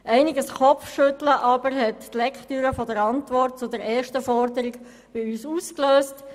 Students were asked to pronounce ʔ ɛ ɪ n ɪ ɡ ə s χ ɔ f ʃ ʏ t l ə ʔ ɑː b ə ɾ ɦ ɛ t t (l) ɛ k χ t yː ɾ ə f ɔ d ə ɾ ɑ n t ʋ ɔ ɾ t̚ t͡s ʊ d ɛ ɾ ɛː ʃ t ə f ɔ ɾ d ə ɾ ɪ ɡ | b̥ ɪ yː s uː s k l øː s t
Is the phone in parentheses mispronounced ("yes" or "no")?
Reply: no